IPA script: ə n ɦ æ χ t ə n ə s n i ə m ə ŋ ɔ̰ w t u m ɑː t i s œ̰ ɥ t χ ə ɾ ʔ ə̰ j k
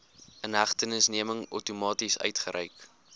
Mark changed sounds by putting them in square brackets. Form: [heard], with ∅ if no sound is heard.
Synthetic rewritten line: ə n ɦ æ χ t ə n ə s n i ə m ə ŋ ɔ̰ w t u m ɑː t i s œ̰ ɥ t χ ə ɾ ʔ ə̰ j k